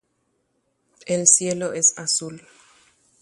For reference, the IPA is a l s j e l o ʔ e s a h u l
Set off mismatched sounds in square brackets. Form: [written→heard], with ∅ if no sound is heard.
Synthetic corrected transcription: [a→e] l s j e l o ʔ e s a [h→s] u l